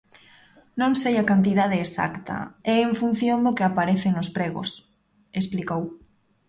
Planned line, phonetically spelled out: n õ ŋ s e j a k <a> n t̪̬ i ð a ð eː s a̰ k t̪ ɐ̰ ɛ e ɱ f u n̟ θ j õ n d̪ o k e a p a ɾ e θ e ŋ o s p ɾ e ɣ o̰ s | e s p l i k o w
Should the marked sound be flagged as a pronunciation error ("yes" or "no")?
no